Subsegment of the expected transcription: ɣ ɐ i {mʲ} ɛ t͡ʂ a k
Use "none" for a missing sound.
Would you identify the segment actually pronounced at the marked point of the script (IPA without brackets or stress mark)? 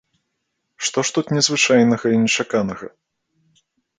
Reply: nʲ